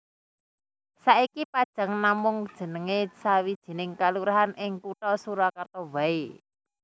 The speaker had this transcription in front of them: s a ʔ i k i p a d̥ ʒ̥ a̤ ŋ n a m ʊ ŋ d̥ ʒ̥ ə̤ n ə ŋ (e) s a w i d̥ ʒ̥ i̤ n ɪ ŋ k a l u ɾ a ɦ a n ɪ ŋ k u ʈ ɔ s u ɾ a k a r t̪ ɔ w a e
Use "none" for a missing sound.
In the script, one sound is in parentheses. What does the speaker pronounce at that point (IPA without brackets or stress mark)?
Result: e